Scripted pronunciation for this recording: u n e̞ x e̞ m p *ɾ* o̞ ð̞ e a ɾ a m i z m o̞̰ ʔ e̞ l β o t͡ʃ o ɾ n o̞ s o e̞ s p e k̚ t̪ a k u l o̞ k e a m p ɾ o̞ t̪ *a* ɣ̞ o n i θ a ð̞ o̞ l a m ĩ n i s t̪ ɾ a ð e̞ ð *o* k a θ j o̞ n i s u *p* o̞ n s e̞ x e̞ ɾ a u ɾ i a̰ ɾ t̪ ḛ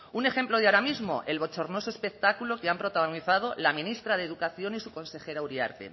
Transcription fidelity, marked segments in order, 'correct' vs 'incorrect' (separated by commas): incorrect, correct, incorrect, incorrect